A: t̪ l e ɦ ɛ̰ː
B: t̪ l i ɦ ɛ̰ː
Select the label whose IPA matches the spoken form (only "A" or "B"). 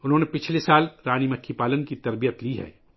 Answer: B